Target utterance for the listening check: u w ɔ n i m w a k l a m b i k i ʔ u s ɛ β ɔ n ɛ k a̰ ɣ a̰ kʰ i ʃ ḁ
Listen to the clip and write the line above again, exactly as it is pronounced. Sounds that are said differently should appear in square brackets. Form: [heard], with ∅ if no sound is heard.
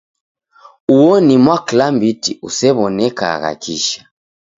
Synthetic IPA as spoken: u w ɔ n i m w a k l a m b i [t] i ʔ u s ɛ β ɔ n ɛ k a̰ ɣ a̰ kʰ i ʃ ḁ